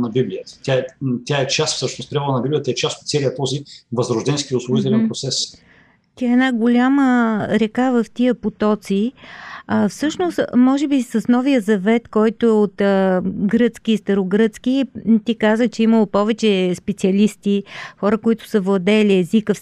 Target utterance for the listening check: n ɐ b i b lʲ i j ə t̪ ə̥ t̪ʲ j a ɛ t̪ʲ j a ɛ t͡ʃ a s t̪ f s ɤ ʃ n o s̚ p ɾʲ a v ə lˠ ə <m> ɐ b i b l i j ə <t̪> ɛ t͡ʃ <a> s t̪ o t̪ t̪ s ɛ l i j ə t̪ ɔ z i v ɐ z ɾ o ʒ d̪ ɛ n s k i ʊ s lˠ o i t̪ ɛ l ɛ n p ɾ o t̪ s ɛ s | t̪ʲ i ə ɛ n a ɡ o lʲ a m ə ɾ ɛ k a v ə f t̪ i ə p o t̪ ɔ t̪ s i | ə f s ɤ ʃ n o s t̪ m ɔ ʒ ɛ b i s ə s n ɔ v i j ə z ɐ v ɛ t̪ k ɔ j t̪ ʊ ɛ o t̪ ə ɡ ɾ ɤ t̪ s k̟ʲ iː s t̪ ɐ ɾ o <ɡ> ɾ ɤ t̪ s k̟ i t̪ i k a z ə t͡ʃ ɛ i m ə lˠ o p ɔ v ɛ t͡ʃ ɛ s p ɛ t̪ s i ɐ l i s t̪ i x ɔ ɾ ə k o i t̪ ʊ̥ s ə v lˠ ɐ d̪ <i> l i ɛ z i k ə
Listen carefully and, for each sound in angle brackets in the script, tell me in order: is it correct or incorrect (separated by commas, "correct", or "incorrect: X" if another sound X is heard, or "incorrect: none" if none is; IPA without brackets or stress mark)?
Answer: incorrect: n, correct, correct, correct, incorrect: ɛ